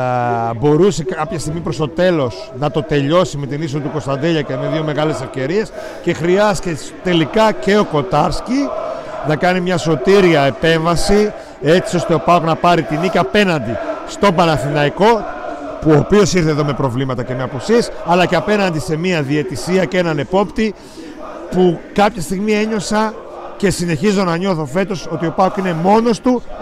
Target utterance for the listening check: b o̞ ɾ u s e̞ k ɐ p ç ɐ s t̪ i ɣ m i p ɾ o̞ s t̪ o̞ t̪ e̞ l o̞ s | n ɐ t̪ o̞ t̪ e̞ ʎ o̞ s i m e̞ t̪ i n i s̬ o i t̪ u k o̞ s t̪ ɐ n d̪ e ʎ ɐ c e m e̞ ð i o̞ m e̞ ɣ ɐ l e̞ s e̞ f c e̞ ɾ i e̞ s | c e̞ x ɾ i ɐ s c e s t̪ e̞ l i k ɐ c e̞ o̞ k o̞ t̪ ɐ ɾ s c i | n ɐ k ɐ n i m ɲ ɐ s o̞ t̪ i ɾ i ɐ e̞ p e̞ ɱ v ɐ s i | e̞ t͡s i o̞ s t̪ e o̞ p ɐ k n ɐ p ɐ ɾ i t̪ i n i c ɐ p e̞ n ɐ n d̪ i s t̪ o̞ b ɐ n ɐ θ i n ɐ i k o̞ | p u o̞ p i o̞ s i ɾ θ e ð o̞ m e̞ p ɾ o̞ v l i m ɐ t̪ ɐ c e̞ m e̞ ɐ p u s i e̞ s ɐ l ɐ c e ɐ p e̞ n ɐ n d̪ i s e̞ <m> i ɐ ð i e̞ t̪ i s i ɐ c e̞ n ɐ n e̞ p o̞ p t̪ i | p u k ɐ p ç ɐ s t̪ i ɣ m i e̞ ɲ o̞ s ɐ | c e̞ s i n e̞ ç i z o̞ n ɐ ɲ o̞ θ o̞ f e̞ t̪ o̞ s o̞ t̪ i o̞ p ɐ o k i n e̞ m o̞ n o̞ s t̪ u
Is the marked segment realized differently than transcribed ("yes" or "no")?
no